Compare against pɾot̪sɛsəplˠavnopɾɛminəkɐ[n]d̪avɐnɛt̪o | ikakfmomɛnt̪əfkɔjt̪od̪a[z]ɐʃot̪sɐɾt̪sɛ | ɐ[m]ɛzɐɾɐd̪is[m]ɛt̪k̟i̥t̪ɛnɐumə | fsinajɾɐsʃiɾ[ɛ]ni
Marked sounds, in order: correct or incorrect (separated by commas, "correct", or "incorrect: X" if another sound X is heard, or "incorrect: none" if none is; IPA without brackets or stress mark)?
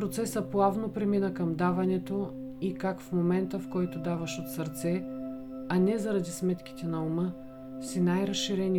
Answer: incorrect: m, incorrect: v, incorrect: n, correct, correct